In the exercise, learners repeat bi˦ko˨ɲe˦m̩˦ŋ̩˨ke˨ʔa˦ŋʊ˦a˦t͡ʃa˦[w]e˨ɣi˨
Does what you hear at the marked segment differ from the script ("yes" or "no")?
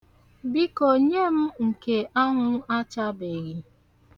yes